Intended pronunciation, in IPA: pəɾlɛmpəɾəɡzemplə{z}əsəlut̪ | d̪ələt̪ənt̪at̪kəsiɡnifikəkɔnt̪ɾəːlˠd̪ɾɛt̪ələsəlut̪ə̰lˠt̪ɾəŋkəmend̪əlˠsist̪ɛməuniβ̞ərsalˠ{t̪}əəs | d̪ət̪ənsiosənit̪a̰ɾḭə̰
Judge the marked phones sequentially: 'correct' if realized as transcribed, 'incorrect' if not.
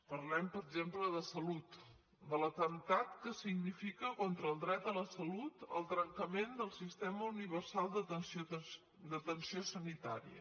incorrect, incorrect

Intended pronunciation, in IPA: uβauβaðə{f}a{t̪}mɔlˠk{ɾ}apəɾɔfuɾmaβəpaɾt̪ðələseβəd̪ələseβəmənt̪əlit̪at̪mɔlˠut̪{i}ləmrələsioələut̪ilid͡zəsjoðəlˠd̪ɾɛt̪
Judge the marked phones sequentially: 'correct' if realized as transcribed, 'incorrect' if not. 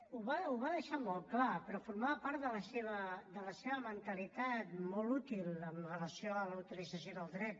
incorrect, incorrect, incorrect, correct

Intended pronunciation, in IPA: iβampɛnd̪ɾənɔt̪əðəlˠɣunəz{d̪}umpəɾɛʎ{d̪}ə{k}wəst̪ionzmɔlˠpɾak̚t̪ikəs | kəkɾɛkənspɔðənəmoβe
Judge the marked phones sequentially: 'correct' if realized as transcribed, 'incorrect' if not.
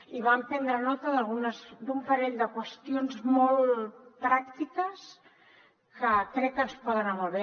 correct, correct, correct

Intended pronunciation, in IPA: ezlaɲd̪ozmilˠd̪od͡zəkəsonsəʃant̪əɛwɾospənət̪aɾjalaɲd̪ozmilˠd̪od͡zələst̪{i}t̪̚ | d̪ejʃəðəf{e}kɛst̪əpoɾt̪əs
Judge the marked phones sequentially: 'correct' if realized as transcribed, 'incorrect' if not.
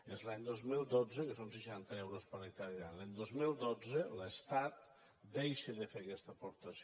incorrect, correct

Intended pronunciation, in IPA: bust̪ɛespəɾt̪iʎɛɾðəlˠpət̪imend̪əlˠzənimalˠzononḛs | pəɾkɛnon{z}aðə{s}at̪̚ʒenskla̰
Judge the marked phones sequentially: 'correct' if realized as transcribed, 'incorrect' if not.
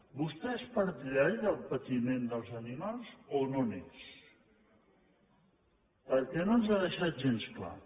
correct, incorrect

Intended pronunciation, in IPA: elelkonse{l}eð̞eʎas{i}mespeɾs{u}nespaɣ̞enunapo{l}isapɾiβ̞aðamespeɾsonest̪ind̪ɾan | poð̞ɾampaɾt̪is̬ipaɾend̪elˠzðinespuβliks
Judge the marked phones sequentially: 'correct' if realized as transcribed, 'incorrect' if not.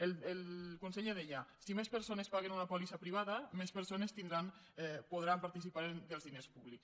incorrect, correct, incorrect, correct

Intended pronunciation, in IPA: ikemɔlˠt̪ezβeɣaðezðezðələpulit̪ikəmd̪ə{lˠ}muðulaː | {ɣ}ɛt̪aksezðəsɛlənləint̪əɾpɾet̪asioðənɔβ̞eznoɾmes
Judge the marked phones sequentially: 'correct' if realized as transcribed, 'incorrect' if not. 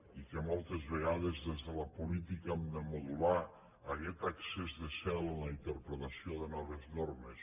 incorrect, correct

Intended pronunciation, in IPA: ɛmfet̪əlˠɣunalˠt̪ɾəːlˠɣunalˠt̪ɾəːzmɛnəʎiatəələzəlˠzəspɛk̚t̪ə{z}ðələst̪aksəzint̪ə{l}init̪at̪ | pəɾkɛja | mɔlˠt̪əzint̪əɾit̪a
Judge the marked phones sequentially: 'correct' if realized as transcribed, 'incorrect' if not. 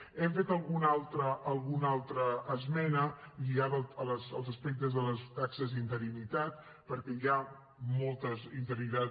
correct, incorrect

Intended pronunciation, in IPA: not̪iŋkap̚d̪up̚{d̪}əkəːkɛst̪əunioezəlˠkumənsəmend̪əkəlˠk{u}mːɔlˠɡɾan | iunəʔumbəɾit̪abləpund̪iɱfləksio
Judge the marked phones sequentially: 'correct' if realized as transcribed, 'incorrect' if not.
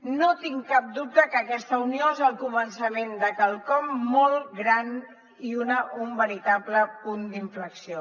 incorrect, incorrect

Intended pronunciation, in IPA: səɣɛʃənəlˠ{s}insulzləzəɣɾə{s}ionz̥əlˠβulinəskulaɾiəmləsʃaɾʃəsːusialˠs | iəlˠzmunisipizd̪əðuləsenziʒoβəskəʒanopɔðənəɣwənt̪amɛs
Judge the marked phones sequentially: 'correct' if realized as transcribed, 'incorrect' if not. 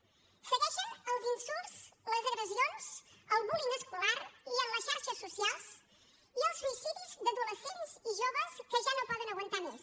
incorrect, incorrect

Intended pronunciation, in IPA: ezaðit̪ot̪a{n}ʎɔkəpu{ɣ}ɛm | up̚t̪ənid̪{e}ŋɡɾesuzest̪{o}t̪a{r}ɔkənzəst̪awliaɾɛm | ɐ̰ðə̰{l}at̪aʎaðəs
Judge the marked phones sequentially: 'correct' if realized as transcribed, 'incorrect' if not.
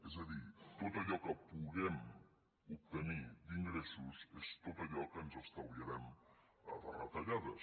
incorrect, correct, incorrect, correct, incorrect, incorrect

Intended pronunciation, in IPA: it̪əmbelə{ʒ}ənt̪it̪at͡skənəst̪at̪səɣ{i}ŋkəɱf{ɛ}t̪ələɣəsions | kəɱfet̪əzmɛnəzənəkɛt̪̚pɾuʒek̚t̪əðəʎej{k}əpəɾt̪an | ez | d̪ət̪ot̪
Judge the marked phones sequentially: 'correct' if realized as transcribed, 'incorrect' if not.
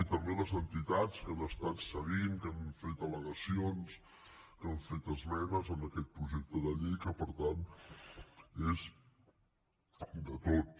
incorrect, correct, incorrect, correct

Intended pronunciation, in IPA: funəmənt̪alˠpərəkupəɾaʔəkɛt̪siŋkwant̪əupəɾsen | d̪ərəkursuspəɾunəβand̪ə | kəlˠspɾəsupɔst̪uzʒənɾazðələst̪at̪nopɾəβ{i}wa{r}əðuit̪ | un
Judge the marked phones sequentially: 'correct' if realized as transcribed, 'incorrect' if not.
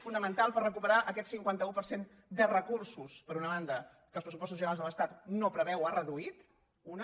incorrect, correct

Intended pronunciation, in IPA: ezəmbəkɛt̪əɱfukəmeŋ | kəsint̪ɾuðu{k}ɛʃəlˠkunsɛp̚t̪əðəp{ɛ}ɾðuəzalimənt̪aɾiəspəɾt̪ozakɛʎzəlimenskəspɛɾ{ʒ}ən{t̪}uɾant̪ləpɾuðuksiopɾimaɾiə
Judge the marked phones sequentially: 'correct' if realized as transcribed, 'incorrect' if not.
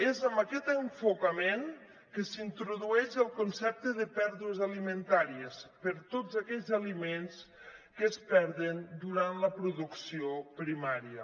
incorrect, correct, incorrect, incorrect

